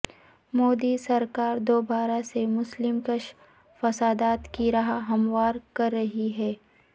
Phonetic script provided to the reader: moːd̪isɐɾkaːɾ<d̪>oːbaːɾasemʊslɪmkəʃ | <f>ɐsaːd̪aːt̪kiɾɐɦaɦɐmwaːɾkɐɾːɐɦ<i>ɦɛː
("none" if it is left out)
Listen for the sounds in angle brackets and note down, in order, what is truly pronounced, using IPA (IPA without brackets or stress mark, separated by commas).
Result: d̪, f, i